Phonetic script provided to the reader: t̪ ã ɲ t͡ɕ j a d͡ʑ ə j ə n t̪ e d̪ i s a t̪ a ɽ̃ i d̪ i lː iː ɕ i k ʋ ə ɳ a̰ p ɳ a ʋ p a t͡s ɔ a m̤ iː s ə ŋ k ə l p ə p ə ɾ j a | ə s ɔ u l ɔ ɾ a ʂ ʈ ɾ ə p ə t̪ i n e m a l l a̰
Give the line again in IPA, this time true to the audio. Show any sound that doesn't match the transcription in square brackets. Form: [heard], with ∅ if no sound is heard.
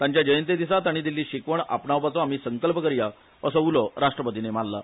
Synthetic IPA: t̪ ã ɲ t͡ɕ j a d͡ʑ ə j ə n t̪ e d̪ i s a t̪ a ɽ̃ i d̪ i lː iː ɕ i k ʋ ə ɳ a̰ p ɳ a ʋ p a t͡s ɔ a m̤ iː s ə ŋ k ə l p ə [k] ə ɾ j a | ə s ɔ u l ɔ ɾ a ʂ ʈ ɾ ə p ə t̪ i n e m a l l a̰